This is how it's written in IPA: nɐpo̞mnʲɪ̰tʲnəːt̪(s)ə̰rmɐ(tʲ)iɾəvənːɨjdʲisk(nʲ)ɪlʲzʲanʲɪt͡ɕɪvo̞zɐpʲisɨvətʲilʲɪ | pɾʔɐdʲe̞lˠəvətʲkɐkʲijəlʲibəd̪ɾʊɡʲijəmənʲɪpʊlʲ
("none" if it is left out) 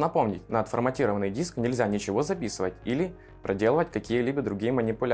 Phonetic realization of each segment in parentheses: f, tʲ, nʲ

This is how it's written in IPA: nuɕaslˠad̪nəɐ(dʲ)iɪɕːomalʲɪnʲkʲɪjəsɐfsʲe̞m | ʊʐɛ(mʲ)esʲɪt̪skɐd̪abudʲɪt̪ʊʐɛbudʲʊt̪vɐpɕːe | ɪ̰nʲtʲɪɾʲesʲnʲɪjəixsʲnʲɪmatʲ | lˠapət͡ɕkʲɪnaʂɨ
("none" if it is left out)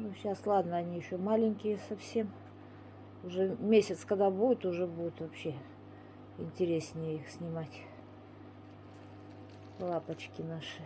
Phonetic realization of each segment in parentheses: nʲ, mʲ

